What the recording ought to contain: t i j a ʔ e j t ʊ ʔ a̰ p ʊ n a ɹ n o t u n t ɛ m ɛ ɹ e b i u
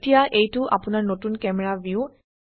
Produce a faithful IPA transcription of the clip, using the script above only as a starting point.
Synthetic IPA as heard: t i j a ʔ e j t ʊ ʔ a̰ p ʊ n a ɹ n o t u n k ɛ m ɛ ɹ a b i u